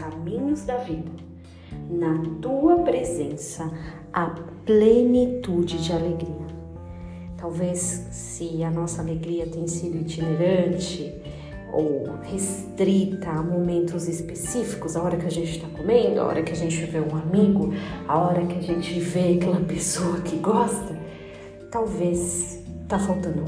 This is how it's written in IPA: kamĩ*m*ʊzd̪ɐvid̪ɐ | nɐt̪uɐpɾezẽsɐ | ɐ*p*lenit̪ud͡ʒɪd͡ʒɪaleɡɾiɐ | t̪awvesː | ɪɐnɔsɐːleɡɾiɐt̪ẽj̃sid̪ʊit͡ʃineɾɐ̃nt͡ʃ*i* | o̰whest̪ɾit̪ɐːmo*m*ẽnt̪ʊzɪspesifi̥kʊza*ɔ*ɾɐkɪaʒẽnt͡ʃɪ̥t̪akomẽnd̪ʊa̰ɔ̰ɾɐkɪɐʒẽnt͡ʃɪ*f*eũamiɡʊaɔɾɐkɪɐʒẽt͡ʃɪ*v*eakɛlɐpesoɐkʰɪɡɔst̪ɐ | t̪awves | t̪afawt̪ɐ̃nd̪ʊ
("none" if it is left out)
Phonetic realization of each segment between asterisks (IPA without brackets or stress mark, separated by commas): ɲ, p, ɪ, m, ɔ, v, v